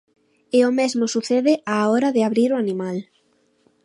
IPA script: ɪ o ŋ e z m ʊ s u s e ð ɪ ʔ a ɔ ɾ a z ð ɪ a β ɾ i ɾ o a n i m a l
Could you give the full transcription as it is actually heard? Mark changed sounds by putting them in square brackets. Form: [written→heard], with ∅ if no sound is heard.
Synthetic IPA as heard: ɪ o [ŋ→m] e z m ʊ s u [s→θ] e ð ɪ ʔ a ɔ ɾ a [z→∅] ð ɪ a β ɾ i ɾ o a n i m a l